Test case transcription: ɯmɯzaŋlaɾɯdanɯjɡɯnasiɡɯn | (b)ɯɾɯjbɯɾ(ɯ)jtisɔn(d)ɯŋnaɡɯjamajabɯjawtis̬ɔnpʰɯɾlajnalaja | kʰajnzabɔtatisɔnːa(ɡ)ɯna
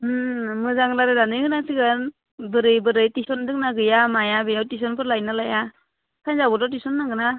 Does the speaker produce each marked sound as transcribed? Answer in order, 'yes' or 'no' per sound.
yes, yes, yes, yes

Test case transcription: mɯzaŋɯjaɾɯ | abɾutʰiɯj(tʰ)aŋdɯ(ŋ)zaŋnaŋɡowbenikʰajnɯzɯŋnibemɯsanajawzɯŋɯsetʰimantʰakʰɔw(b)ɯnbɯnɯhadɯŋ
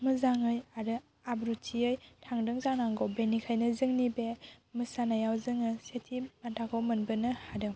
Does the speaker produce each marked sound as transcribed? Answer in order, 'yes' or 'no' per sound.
yes, yes, no

